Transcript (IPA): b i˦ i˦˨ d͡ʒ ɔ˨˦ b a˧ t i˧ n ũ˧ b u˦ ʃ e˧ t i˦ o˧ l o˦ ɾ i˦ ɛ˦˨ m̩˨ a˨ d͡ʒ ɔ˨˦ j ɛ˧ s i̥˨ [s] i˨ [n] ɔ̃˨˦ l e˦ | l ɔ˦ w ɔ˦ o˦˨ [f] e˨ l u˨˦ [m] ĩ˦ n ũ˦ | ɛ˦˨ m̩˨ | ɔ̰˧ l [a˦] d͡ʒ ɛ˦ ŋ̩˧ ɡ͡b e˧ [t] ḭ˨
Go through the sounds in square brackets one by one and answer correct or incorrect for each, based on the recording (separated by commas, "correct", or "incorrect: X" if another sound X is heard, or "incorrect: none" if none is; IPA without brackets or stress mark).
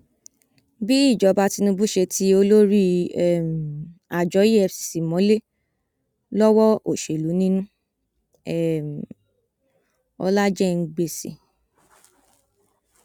correct, incorrect: m, incorrect: ʃ, incorrect: n, correct, incorrect: s